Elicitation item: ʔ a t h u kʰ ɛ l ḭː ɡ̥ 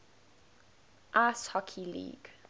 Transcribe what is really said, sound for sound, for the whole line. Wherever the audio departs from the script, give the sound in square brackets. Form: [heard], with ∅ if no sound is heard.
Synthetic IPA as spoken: ʔ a [s] h [ɔ] kʰ [i] l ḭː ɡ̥